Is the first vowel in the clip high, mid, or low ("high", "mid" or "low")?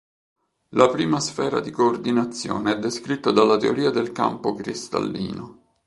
low